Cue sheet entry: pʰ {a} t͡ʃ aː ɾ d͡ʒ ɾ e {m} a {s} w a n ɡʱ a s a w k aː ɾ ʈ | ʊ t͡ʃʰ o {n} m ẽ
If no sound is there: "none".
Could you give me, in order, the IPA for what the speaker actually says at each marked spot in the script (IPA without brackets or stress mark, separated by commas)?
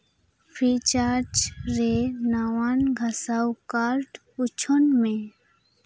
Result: i, n, none, n